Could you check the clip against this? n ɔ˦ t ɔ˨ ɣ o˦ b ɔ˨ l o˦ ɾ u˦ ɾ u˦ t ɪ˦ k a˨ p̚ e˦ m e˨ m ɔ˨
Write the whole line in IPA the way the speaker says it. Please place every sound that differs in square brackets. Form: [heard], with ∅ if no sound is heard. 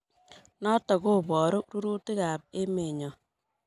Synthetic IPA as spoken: n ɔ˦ t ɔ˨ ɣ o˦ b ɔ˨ [ɾ] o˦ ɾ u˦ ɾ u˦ t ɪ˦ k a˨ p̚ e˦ m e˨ [ɲ] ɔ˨

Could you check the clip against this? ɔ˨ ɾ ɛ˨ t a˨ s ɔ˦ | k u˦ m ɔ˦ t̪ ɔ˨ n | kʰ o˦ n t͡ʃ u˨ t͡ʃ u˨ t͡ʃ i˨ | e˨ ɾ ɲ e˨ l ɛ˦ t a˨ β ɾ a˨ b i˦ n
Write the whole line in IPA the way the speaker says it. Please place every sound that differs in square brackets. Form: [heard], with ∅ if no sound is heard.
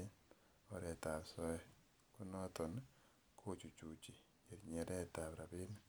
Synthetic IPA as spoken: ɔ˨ ɾ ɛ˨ t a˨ s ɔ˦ | k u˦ [n] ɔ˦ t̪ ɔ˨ n | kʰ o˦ [∅] t͡ʃ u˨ t͡ʃ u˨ t͡ʃ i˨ | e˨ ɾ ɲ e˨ [ɾ] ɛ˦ t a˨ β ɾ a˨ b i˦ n

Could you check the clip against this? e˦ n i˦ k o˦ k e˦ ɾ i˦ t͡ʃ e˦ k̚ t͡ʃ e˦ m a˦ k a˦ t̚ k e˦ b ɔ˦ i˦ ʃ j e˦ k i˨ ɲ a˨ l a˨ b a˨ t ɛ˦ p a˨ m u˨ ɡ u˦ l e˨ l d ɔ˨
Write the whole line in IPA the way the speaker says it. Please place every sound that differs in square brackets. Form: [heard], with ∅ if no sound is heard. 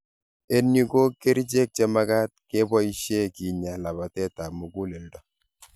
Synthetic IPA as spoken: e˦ n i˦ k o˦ k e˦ ɾ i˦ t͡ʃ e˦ k̚ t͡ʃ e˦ m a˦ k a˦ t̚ k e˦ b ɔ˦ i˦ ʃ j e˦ k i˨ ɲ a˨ l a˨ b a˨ t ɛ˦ [t] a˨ m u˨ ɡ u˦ l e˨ l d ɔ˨

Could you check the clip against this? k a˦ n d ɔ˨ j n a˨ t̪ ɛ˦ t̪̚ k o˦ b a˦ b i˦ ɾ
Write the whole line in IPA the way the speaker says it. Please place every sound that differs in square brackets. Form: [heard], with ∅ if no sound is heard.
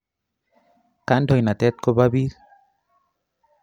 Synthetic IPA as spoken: k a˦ n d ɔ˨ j n a˨ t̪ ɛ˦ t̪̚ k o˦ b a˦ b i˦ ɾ

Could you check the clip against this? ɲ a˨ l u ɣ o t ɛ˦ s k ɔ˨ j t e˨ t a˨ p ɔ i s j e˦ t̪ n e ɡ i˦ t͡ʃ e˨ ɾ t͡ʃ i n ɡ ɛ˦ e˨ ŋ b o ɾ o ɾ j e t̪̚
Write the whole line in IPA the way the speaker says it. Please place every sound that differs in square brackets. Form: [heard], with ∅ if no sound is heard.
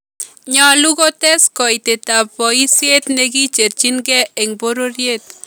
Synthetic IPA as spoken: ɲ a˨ l u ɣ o t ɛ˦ s k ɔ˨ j t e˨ t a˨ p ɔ i s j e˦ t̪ n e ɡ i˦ t͡ʃ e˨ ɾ t͡ʃ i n ɡ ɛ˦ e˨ ŋ b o ɾ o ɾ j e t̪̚

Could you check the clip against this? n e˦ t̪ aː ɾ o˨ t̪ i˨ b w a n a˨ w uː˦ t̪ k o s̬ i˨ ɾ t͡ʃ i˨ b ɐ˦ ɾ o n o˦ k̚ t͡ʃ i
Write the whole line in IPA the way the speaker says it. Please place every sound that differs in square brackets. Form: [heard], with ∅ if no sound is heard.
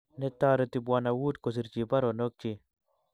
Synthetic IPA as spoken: n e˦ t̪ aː ɾ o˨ t̪ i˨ b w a n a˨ w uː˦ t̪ k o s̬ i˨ ɾ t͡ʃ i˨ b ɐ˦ ɾ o n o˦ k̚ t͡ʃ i

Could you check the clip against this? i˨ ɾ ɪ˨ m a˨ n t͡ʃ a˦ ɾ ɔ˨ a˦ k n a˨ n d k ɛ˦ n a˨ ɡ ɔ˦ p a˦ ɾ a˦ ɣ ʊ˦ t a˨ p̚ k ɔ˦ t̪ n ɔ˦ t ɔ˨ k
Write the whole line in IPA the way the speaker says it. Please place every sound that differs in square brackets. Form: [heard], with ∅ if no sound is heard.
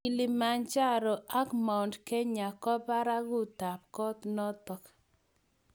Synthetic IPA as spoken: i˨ [l] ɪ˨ m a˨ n t͡ʃ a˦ ɾ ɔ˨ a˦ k [m] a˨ n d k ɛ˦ [ɲ] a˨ [k] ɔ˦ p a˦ ɾ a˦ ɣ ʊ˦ t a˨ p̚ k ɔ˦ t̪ n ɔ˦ t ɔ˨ k

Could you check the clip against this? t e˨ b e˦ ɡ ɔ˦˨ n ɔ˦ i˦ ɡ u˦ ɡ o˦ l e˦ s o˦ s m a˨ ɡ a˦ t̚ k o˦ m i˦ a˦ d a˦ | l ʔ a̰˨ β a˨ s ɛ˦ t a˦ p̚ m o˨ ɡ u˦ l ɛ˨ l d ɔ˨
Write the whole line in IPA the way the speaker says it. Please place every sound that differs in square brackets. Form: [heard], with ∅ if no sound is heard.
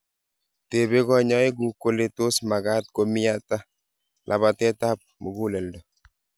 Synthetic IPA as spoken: t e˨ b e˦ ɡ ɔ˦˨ [ɲ] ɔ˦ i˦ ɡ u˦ [k] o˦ l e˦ [t] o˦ s m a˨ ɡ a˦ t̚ k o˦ m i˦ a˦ [t] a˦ | l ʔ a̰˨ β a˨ [t] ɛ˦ t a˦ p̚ m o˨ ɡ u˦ l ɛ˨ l d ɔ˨

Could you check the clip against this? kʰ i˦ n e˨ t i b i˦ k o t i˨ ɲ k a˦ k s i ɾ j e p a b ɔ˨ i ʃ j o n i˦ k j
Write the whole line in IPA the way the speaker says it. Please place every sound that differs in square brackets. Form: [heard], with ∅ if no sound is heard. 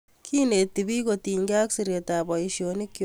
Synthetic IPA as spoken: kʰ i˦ n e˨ t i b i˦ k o t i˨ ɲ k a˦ k s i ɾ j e [t] a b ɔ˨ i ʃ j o n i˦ k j

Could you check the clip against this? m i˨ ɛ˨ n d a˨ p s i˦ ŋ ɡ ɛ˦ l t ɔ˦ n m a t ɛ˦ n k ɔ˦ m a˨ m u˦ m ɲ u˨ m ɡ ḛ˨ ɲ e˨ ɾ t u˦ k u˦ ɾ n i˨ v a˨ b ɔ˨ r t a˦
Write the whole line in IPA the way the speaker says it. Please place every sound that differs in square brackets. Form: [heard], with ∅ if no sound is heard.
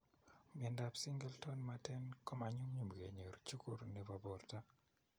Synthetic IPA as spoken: m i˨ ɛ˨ n d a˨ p s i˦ ŋ ɡ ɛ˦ l t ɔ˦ n m a t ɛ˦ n k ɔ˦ m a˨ [ɲ] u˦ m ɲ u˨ m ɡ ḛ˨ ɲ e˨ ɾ [t͡ʃ] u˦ k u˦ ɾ n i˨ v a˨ b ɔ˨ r t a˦

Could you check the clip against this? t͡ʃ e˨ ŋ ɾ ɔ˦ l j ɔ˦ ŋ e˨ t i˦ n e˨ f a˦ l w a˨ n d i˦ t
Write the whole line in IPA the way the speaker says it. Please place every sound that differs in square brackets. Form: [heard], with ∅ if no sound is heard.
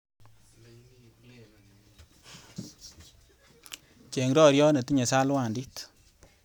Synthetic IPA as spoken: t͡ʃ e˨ ŋ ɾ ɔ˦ [ɾ] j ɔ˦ [n] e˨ t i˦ [ɲ] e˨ [s] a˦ l w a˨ n d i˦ t

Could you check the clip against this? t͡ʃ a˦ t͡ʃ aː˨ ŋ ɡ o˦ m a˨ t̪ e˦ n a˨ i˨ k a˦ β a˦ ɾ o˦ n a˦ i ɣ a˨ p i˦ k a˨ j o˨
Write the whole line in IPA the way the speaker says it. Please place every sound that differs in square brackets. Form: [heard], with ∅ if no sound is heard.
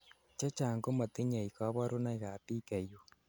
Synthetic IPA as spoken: t͡ʃ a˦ t͡ʃ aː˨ ŋ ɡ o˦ m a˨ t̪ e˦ [ɲ] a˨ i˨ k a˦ β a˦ ɾ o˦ n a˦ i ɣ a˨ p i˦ k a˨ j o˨

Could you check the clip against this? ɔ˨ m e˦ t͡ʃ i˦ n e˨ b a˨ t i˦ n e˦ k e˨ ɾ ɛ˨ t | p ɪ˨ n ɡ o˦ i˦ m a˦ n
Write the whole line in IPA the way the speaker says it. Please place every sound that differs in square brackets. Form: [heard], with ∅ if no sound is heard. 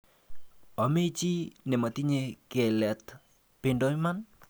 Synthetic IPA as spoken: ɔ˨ m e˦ t͡ʃ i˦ n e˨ [m] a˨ t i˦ [ɲ] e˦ k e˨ [l] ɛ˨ t | p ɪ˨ n [d] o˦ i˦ m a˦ n

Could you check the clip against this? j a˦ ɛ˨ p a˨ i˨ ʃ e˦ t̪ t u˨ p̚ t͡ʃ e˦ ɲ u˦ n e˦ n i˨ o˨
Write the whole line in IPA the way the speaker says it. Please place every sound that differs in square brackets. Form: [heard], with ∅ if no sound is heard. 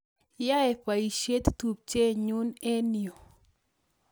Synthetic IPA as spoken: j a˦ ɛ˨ p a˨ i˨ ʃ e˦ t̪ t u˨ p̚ t͡ʃ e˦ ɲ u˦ n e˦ n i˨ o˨

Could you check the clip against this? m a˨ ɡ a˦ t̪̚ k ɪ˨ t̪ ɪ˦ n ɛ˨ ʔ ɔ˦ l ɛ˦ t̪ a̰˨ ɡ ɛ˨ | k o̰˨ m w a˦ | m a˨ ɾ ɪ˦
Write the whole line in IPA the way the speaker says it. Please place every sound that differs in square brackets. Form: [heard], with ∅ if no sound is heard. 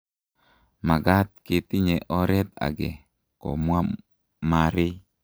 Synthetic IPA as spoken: m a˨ ɡ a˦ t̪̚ k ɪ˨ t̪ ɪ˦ [ɲ] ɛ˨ ʔ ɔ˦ [ɾ] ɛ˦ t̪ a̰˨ ɡ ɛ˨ | k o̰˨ m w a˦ | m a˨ ɾ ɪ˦

